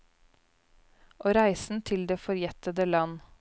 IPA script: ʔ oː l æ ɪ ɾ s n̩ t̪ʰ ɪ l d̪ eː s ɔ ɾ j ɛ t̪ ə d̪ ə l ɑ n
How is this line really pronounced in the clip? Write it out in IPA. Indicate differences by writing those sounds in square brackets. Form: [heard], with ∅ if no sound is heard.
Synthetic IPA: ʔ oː [ɾ] æ ɪ [∅] s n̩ t̪ʰ ɪ l d̪ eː [f] ɔ ɾ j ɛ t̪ ə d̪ ə l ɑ n

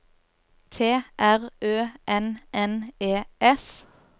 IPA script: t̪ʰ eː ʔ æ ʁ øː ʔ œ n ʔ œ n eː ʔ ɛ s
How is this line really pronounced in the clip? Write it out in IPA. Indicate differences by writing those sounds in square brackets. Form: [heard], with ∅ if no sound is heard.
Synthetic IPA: t̪ʰ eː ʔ æ ʁ øː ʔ [ɛ] n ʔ [ɛ] n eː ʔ ɛ s

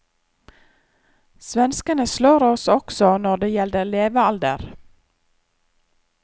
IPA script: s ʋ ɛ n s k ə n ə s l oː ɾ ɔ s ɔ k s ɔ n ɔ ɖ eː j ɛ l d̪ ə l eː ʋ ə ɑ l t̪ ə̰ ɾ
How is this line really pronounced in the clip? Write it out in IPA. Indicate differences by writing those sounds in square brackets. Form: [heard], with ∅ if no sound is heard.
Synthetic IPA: s ʋ ɛ n s k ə n ə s l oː ɾ ɔ s ɔ k s ɔ n ɔ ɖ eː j ɛ l d̪ ə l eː ʋ ə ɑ l [d̪] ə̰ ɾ

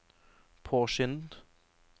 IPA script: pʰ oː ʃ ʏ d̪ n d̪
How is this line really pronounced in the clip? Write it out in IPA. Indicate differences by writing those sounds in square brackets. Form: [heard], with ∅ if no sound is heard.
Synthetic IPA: pʰ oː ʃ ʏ [∅] n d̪

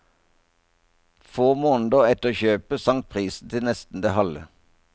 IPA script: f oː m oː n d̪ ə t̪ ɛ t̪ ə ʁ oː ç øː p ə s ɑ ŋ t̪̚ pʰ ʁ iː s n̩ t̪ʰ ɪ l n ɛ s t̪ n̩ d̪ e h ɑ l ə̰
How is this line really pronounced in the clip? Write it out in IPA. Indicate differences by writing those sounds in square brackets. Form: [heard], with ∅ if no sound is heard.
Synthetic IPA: f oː m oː n d̪ ə [∅] ɛ t̪ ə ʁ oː ç øː p ə s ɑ ŋ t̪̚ pʰ ʁ iː s n̩ t̪ʰ ɪ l n ɛ s t̪ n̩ d̪ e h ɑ l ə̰

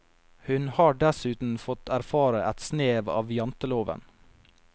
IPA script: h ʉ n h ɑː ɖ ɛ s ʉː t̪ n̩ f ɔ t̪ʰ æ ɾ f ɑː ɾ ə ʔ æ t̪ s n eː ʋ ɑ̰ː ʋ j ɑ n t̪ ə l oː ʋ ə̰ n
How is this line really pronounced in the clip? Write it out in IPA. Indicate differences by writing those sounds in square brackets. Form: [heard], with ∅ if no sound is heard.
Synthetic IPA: h ʉ n h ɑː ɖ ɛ s ʉː t̪ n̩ f ɔ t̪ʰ æ ɾ f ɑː ɾ ə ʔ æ t̪ s n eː ʋ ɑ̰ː ʋ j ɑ n t̪ ə l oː ʋ ə̰ n

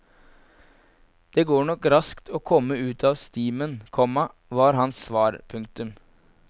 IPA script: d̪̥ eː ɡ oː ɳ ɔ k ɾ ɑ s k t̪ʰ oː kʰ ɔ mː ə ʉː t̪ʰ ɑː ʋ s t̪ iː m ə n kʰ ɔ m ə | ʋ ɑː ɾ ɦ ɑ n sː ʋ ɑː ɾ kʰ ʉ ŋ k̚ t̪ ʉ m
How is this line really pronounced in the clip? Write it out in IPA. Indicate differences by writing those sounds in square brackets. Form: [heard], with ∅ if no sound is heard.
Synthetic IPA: d̪̥ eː ɡ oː ɳ ɔ k ɾ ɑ s k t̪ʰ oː kʰ ɔ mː ə ʉː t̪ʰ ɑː ʋ s t̪ iː m ə n kʰ ɔ m [ɑ] | ʋ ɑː ɾ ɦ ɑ n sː ʋ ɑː ɾ [pʰ] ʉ ŋ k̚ t̪ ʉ m

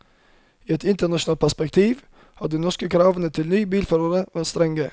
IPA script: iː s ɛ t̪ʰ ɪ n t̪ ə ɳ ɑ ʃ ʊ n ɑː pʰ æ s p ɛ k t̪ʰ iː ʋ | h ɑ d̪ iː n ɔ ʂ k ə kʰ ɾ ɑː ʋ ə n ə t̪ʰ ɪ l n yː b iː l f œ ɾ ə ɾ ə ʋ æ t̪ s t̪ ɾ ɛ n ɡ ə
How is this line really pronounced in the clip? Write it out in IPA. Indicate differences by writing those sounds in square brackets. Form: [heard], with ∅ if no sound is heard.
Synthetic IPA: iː [∅] ɛ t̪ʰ ɪ n t̪ ə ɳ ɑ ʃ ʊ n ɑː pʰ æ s p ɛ k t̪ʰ iː ʋ | h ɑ d̪ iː n ɔ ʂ k ə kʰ ɾ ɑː ʋ ə n ə t̪ʰ ɪ l n yː b iː l f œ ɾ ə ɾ ə ʋ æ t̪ s t̪ ɾ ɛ [ŋ] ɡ ə

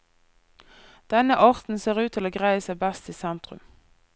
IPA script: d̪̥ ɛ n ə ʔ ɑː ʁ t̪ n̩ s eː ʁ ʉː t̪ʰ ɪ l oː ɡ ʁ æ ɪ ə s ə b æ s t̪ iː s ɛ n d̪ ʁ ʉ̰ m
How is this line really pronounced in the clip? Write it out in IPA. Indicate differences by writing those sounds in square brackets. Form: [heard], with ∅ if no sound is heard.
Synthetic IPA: d̪̥ ɛ n ə ʔ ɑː ʁ t̪ n̩ s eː ʁ ʉː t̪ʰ ɪ l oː ɡ ʁ æ ɪ ə s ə b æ s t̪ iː s ɛ n [t̪] ʁ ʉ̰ m

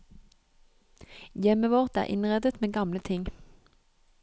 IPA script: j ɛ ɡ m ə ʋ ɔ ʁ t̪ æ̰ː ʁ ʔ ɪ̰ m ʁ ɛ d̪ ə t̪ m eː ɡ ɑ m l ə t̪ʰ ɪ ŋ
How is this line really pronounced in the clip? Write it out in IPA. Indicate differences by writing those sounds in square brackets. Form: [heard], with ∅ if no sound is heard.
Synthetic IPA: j ɛ [∅] m ə ʋ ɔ ʁ t̪ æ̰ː ʁ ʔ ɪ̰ [n] ʁ ɛ d̪ ə t̪ m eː ɡ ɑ m l ə t̪ʰ ɪ ŋ

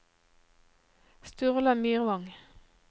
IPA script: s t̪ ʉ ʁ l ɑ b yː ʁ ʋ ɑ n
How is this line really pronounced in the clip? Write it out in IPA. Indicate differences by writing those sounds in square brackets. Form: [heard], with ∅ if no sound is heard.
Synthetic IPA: s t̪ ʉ ʁ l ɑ [m] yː ʁ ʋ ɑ [ŋ]

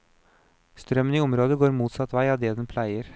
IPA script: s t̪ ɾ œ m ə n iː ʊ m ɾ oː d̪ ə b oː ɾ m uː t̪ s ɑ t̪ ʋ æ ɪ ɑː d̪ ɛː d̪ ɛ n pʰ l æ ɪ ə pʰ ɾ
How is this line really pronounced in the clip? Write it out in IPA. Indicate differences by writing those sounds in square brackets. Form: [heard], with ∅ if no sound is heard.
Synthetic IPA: s t̪ ɾ œ m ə n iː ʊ m ɾ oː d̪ ə [ɡ] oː ɾ m uː t̪ s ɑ t̪ ʋ æ ɪ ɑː d̪ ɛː d̪ ɛ n pʰ l æ ɪ ə [∅] ɾ

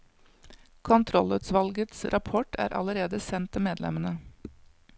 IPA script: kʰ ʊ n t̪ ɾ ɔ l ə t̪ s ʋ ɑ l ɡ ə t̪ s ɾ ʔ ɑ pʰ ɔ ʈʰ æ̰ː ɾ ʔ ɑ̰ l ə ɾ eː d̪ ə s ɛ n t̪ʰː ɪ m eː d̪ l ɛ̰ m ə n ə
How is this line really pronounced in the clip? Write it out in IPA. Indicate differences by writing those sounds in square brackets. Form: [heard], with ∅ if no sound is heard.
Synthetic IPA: kʰ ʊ n [t̪ʰ] ɾ ɔ l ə t̪ s ʋ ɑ l ɡ ə t̪ s ɾ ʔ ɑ pʰ ɔ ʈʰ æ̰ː ɾ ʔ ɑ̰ l ə ɾ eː d̪ ə s ɛ n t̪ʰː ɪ m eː d̪ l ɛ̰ m ə n ə

